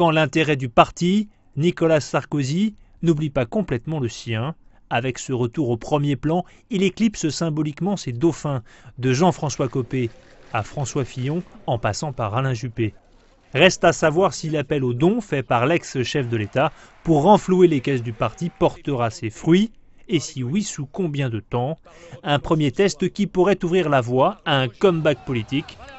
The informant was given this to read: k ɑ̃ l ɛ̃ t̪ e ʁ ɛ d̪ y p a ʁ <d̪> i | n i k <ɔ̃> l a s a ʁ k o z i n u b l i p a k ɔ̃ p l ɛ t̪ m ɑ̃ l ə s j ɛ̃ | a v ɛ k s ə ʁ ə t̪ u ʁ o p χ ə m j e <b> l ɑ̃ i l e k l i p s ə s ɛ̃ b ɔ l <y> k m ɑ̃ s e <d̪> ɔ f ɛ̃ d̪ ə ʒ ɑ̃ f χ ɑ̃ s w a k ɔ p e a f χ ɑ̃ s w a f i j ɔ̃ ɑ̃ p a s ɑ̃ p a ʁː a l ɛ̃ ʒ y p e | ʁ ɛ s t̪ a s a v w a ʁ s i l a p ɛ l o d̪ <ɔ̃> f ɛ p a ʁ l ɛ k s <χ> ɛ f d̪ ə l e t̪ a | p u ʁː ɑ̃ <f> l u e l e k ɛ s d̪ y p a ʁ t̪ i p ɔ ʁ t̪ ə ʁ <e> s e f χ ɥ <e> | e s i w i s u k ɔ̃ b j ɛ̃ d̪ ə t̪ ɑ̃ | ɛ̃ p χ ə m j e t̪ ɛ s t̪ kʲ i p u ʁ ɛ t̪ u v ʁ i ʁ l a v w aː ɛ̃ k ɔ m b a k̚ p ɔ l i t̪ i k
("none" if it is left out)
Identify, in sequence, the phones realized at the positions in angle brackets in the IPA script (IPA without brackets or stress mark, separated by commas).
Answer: t̪, ɔ, p, i, d̪, ɔ̃, ʃ, f, a, i